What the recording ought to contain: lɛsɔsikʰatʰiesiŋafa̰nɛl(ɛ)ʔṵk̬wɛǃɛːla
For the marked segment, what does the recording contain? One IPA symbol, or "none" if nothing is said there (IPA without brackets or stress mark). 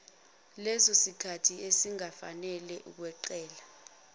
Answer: ɛ